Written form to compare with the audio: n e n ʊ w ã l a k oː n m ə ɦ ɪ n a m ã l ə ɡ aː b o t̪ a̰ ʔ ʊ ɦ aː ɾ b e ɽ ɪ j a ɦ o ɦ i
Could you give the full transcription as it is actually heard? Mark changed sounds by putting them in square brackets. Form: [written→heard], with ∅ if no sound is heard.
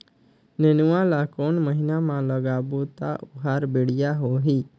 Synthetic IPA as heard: n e n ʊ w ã l a k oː n m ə ɦ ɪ n a m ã l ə ɡ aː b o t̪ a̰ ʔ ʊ ɦ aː ɾ b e ɽ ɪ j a ɦ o ɦ i

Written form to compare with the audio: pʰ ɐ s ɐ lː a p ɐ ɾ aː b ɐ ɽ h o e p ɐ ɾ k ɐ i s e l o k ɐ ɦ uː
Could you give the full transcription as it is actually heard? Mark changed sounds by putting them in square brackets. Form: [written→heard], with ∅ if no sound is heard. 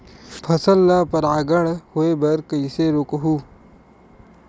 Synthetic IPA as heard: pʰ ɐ s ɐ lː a p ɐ ɾ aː [b→ɡ] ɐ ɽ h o e [p→b] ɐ ɾ k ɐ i s e [l→ɾ] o k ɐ ɦ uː

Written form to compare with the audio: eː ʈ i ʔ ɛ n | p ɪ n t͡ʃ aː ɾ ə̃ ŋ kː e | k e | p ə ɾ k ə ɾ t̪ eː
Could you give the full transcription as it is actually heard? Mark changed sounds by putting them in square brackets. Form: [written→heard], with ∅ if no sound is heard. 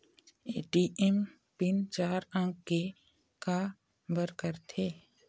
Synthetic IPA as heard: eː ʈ i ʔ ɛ [n→m] | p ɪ n t͡ʃ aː ɾ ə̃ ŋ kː e | k [e→a] | [p→b] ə ɾ k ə ɾ [t̪→t̪ʰ] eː

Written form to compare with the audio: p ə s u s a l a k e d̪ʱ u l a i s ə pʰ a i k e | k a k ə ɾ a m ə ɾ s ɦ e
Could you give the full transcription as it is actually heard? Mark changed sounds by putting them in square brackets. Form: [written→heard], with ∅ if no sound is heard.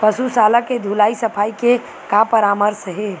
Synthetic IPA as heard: p ə s u s a l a k e d̪ʱ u l a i s ə pʰ a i k e | k a [k→p] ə ɾ a m ə ɾ s ɦ e

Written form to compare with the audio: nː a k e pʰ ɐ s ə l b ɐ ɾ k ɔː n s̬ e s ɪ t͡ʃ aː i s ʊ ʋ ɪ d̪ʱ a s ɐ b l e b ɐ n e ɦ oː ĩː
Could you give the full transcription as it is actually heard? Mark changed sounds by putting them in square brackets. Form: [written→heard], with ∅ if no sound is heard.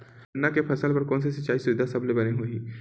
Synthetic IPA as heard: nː a k e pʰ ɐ s ə l [b→p] ɐ ɾ k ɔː n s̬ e s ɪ t͡ʃ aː i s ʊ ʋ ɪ d̪ʱ a s ɐ b l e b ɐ n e ɦ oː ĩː

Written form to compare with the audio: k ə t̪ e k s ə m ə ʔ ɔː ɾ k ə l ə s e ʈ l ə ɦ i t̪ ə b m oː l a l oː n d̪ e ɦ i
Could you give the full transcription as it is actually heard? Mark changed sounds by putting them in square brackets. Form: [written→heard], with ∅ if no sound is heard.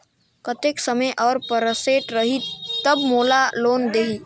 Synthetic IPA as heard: k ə t̪ e k s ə m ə ʔ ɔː ɾ [k→p] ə [l→ɾ] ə s e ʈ [l→ɾ] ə ɦ i t̪ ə b m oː l a l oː n d̪ e ɦ i

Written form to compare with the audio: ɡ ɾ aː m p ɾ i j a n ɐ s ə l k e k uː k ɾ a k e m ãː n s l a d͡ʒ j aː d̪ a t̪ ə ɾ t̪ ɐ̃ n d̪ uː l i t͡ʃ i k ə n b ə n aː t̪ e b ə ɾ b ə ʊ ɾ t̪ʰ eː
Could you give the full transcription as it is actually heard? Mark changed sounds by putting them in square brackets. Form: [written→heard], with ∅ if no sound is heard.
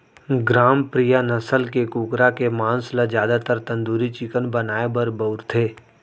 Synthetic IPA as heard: ɡ ɾ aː m p ɾ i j a n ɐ s ə l k e k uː k ɾ a k e m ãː n s l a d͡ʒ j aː d̪ a t̪ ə ɾ t̪ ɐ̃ n d̪ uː [l→ɾ] i t͡ʃ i k ə n b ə n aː [t̪→∅] e b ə ɾ b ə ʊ ɾ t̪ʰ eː

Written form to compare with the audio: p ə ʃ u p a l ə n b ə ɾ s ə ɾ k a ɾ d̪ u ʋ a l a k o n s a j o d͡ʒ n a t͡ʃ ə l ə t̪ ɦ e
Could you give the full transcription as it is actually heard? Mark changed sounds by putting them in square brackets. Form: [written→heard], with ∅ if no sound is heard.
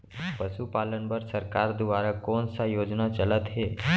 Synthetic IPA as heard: p ə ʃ u p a l ə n b ə ɾ s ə ɾ k a ɾ d̪ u ʋ a [l→ɾ] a k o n s a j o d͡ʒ n a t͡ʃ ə l ə t̪ ɦ e

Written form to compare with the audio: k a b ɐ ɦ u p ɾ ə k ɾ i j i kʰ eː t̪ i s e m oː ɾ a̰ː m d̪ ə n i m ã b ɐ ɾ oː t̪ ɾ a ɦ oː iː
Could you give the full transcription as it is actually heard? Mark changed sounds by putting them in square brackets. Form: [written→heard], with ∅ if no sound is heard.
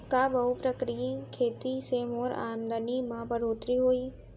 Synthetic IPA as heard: k a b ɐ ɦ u p ɾ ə k ɾ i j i kʰ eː t̪ i s e m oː ɾ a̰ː m d̪ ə n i m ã b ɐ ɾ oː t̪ ɾ [a→i] ɦ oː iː

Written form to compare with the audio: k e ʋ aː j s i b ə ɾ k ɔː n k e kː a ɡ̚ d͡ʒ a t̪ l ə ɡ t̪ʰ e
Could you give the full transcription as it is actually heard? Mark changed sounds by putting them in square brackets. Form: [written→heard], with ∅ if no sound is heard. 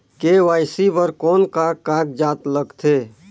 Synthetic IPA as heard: k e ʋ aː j s i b ə ɾ k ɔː n k [e→a] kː a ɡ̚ d͡ʒ a t̪ l ə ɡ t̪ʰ e

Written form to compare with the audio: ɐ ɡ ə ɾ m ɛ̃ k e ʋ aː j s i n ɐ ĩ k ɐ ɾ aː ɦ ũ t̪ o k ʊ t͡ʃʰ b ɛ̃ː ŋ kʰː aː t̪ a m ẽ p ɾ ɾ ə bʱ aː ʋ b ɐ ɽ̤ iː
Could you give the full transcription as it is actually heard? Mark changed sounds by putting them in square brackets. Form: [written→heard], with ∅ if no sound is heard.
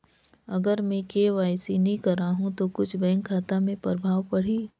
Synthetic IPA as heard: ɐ ɡ ə ɾ m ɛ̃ k e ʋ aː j s i n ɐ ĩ k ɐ ɾ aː ɦ ũ t̪ o k ʊ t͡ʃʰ b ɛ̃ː ŋ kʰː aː t̪ a m ẽ p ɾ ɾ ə bʱ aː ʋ [b→p] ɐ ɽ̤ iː

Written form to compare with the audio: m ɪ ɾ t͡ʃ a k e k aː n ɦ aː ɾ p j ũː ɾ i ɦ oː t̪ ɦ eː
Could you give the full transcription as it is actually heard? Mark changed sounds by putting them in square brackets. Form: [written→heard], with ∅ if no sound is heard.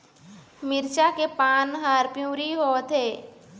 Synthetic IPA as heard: m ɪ ɾ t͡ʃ a k e [k→p] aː n ɦ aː ɾ p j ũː ɾ i ɦ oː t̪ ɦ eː

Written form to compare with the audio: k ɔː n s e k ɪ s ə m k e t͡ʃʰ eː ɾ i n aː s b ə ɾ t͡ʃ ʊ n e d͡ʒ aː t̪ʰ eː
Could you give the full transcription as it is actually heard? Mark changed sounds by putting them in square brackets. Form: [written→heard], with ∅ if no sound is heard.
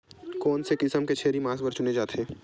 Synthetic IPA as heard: k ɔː n s e k ɪ s ə m k e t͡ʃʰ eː ɾ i [n→m] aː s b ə ɾ t͡ʃ ʊ n e d͡ʒ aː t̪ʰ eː

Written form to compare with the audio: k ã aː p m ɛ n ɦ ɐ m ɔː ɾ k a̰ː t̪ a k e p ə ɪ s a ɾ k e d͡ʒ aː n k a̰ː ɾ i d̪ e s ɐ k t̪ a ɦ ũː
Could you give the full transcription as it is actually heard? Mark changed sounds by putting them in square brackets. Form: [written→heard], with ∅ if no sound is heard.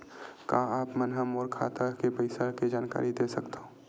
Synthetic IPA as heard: k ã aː p m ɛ n ɦ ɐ m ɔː ɾ [k→kʰ] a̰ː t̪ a k e p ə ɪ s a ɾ k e d͡ʒ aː n k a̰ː ɾ i d̪ e s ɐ k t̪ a ɦ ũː

